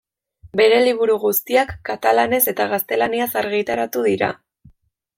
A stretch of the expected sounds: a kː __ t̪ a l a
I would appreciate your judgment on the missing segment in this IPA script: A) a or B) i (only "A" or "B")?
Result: A